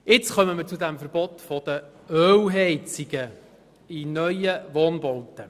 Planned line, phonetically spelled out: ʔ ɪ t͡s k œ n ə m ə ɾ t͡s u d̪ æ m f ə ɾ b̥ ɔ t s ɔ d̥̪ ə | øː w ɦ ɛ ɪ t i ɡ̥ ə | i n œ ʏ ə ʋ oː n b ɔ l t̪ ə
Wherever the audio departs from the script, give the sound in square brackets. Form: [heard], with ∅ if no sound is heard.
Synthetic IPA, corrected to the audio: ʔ ɪ t͡s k œ [m] ə m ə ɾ t͡s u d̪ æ m f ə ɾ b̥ ɔ t [f] ɔ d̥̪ ə | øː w ɦ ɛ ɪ [t͡s] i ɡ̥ ə | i n œ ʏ ə ʋ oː n b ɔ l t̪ ə

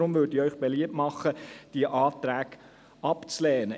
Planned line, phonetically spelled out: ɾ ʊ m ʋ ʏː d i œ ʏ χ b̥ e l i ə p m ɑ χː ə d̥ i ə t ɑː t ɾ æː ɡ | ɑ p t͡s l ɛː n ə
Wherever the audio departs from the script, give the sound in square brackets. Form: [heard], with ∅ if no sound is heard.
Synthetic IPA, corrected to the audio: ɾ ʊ m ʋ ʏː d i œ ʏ χ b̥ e l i ə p m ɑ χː ə d̥ i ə [ʔ] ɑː t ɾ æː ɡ | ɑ p t͡s l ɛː n ə

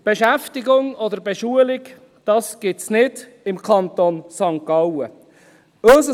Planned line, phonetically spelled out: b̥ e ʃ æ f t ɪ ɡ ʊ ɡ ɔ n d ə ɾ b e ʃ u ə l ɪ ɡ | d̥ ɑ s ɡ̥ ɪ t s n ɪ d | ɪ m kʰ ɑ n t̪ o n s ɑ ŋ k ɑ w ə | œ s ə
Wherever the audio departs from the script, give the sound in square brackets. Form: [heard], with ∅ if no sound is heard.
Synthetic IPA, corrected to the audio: b̥ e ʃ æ f t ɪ ɡ ʊ [ŋ] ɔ [∅] d ə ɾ b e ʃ u ə l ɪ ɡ | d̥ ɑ s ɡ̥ ɪ t s n ɪ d | ɪ m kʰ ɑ n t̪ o n s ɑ ŋ k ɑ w ə | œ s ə

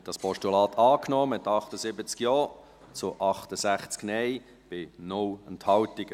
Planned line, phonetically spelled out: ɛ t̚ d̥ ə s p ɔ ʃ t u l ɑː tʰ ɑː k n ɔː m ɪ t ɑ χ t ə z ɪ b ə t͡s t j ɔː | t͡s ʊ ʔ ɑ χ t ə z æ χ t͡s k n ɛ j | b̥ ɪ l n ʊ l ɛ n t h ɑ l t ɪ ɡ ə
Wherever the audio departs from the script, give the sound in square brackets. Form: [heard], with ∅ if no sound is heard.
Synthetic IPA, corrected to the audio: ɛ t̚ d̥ [ɑ] s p ɔ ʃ t u l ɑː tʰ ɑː k n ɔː m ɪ t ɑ χ t ə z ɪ b ə t͡s [k] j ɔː | t͡s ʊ ʔ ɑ χ t ə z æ χ t͡s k n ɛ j | b̥ ɪ [∅] n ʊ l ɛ n t h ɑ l t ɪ ɡ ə

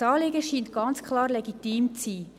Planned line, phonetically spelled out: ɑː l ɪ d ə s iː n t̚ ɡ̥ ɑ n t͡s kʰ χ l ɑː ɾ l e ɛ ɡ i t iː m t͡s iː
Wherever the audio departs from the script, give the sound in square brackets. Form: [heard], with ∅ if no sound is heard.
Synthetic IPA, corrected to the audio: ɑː l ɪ [ɡ] ə [ʃ] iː n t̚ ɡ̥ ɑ n t͡s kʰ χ l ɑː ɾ l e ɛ ɡ i t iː m t͡s iː

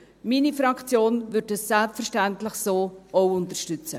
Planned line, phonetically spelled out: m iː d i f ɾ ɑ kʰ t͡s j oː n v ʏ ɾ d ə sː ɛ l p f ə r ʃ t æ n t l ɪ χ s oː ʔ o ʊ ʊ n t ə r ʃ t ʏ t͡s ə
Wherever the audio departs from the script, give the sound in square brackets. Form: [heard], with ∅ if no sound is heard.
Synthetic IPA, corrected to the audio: m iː [n] i f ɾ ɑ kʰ t͡s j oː n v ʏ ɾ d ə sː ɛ l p f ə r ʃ t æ n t l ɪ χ s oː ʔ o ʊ ʊ n t ə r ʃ t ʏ t͡s ə

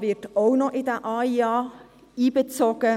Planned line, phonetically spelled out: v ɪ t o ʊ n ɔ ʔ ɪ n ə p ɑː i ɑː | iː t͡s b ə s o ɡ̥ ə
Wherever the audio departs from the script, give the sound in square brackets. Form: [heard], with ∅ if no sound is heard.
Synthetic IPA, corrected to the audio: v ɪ t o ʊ n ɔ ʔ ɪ [d] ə [ʔ] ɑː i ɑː | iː [∅] b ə [t͡s] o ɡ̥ ə

